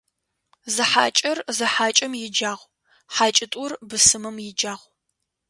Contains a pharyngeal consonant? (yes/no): yes